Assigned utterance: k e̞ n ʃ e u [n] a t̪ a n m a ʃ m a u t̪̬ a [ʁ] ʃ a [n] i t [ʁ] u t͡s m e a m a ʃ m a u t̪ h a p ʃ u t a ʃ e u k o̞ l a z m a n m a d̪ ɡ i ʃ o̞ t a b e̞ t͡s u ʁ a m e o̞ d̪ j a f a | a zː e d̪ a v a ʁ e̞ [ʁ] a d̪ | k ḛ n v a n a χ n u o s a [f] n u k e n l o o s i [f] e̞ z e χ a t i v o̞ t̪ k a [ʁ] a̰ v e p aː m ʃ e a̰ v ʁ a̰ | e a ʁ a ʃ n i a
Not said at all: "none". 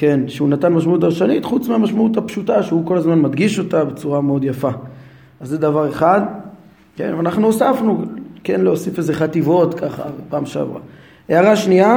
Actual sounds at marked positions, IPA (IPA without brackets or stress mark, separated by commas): n, ʁ, n, χ, χ, f, f, χ